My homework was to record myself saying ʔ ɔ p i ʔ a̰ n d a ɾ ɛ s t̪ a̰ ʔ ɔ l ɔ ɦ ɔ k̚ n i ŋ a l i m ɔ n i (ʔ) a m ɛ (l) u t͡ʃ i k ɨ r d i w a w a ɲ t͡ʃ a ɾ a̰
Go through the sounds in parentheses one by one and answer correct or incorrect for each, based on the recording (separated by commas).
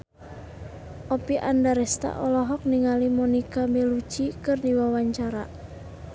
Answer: incorrect, correct